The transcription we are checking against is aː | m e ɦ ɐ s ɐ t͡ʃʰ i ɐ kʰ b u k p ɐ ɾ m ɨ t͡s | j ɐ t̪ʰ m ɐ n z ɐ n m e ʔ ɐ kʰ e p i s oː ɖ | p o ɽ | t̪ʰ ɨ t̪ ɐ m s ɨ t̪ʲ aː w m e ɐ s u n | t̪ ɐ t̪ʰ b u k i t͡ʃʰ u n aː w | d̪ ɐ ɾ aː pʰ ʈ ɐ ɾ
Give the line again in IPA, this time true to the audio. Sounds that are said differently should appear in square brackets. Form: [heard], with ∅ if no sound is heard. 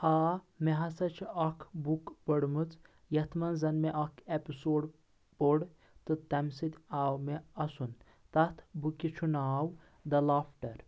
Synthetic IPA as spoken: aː | m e ɦ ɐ s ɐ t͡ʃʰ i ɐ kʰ b u k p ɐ [ɽ] m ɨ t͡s | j ɐ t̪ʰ m ɐ n z ɐ n m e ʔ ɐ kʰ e p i s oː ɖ | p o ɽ | [t̪] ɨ t̪ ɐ m s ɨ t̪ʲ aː w m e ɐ s u n | t̪ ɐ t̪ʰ b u k i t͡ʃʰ u n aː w | d̪ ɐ [l] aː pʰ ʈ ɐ ɾ